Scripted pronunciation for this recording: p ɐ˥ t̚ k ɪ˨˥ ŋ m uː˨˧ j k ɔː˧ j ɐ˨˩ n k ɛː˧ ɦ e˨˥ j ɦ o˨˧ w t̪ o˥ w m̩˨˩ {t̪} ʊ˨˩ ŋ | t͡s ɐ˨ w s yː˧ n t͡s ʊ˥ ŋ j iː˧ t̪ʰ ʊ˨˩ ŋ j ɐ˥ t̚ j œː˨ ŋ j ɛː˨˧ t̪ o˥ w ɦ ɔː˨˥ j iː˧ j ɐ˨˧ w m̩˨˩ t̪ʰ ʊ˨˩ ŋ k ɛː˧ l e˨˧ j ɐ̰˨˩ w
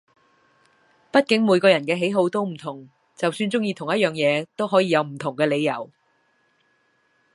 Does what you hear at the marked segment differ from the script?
yes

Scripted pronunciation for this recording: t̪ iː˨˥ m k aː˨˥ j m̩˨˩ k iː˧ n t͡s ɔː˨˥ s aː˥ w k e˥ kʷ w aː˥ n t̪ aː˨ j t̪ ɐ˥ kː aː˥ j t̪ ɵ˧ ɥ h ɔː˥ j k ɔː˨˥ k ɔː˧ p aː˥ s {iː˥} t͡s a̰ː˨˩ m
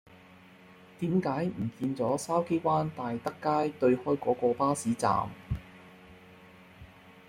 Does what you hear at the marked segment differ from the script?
yes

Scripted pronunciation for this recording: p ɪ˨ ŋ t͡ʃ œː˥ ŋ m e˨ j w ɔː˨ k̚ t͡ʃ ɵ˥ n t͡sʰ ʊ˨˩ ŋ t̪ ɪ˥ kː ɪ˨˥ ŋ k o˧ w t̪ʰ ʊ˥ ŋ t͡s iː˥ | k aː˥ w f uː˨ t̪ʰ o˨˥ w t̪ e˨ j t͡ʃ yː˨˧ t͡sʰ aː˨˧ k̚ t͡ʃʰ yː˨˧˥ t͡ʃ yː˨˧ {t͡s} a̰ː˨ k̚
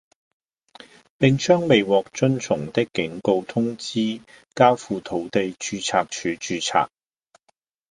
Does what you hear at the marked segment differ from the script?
yes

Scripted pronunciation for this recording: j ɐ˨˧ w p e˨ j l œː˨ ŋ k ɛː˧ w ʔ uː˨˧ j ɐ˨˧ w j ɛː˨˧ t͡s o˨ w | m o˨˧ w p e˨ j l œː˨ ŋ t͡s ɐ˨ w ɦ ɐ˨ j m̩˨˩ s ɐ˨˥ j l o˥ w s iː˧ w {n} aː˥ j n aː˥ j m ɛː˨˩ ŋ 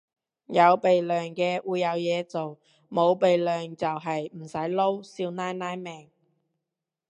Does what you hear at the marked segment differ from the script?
no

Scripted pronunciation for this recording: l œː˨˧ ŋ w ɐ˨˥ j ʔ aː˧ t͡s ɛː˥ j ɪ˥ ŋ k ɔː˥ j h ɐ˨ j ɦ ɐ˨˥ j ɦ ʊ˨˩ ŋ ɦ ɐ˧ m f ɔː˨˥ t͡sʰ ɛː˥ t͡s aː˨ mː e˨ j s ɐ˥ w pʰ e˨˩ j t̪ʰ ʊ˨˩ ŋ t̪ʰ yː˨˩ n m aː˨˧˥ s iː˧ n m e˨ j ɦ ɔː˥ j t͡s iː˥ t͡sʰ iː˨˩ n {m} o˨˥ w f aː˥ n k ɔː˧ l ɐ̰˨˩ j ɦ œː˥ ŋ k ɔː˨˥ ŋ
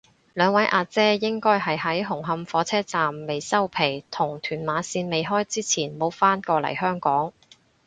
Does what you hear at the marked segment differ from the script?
no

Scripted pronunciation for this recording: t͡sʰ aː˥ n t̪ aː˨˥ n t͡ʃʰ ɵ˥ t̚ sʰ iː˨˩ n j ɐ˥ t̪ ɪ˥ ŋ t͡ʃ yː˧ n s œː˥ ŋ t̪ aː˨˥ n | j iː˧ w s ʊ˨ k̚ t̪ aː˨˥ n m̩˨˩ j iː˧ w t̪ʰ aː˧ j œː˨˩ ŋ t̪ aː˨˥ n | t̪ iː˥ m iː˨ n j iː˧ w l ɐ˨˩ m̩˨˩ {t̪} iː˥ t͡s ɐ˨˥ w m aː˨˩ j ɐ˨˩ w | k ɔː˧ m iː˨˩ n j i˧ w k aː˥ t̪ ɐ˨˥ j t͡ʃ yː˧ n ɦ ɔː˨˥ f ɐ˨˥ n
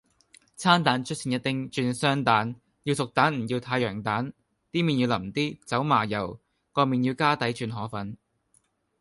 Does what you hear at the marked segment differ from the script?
no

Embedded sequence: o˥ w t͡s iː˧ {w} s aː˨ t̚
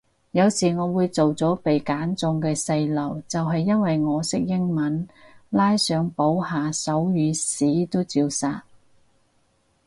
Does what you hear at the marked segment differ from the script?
no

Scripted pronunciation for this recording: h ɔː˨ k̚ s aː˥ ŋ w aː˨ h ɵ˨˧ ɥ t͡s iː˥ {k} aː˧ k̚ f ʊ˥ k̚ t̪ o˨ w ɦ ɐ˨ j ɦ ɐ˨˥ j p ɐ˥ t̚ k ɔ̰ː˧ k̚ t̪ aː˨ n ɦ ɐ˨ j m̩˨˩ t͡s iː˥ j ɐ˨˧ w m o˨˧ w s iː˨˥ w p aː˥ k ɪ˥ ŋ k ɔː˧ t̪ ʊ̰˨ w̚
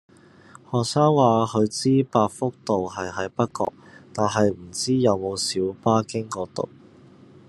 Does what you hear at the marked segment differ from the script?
yes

